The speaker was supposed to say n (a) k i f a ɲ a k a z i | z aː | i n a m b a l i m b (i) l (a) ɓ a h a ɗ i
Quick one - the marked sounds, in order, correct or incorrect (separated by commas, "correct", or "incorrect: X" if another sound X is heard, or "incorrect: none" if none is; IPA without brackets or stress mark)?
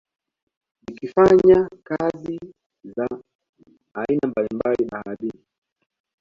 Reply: incorrect: i, incorrect: a, incorrect: i